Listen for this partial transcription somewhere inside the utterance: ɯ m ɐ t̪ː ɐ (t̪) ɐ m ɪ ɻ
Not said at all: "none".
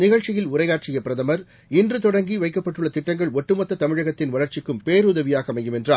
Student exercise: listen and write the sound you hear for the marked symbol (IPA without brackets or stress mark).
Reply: t̪